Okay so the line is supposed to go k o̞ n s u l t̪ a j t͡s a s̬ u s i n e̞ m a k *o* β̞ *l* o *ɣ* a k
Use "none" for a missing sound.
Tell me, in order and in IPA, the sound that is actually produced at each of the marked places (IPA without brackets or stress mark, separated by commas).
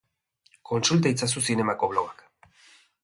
o, l, ɣ